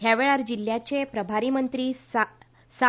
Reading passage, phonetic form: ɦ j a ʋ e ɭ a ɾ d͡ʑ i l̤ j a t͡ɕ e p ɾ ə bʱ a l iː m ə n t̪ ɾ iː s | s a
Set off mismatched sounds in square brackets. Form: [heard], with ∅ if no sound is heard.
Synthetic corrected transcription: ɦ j a ʋ e ɭ a ɾ d͡ʑ i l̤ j a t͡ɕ e p ɾ ə bʱ a [ɾ] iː m ə n t̪ ɾ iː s | s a